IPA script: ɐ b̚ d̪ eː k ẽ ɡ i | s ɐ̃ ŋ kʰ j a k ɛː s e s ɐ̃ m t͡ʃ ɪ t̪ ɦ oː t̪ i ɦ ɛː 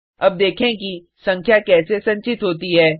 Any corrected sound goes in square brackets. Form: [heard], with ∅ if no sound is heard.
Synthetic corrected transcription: ɐ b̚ d̪ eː [kʰ] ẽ [k] i | s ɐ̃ ŋ kʰ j a k ɛː s e s ɐ̃ [ɲ] t͡ʃ ɪ t̪ ɦ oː t̪ i ɦ ɛː